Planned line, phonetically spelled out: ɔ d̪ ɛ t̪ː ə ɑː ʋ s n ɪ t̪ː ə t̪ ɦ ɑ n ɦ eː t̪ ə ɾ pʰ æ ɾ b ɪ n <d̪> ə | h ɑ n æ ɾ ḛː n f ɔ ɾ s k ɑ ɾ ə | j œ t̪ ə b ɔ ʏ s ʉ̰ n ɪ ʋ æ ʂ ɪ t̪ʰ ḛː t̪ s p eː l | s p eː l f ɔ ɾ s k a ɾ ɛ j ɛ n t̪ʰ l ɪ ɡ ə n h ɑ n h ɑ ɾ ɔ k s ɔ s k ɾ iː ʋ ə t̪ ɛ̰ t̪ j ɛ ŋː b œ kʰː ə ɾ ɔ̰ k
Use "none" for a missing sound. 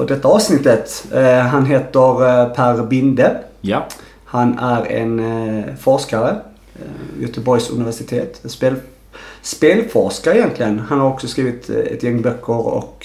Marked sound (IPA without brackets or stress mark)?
d̪